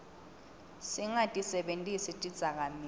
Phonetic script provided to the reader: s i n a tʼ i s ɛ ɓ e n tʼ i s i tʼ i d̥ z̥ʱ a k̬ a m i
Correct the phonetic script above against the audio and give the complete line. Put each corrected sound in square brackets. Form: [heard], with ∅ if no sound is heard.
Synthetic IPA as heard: s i [ŋ] a tʼ i s ɛ ɓ e n tʼ i s i tʼ i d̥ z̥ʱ a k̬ a m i